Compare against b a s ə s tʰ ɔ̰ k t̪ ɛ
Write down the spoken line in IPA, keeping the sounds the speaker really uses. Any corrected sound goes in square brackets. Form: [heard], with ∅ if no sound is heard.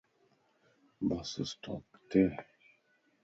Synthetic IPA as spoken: b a s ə s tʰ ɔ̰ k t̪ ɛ